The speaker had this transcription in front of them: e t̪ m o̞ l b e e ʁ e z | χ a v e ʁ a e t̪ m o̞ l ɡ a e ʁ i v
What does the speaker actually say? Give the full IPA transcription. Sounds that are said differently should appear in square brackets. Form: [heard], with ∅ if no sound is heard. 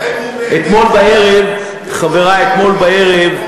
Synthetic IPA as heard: e t̪ m o̞ l b [a] e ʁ e [v] | χ a v e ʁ a e t̪ m o̞ l [b] a e ʁ [e] v